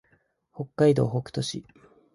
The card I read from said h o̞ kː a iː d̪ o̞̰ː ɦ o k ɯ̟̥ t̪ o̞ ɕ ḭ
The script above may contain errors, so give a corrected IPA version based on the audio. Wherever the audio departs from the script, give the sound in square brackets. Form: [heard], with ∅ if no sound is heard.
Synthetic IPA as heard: h o̞ kː a [i] d̪ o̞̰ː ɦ o k ɯ̟̥ t̪ o̞ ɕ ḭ